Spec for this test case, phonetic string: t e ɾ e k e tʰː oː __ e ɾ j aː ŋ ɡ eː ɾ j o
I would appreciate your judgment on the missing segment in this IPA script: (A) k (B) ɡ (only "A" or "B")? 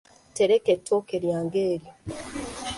A